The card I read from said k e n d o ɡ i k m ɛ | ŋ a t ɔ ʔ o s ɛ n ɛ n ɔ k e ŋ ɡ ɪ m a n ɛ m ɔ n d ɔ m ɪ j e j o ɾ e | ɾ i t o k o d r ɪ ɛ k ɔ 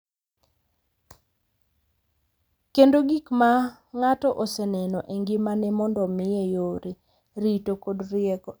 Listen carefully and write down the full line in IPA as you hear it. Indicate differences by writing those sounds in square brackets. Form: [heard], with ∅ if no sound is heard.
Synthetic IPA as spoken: k e n d o ɡ i k m [a] | ŋ a t ɔ ʔ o s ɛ n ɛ n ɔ [ʔ] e ŋ ɡ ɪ m a n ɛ m ɔ n d ɔ m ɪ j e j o ɾ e | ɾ i t o k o d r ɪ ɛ k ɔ